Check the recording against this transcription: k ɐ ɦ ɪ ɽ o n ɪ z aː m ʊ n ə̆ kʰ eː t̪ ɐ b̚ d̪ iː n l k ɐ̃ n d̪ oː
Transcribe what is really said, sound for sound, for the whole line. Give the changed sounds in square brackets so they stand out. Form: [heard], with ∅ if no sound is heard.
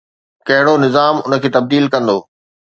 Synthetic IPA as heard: k ɐ ɦ ɪ ɽ o n ɪ z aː m ʊ n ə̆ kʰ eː t̪ ɐ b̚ d̪ iː [∅] l k ɐ̃ n d̪ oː